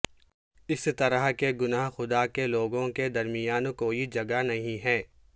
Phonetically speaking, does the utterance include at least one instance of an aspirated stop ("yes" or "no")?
no